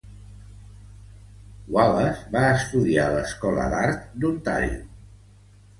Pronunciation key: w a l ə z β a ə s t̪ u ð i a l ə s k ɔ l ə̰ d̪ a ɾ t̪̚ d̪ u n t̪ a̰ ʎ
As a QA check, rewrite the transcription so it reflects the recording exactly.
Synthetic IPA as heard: w a l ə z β a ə s t̪ u ð i a l ə s k ɔ l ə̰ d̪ a ɾ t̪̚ d̪ u n t̪ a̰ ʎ